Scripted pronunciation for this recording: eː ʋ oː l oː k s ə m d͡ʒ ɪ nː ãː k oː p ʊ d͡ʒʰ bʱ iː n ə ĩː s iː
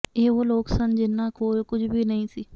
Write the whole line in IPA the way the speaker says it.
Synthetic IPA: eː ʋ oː l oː k s ə n d͡ʒ ɪ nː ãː k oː k ʊ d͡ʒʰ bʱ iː n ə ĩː s iː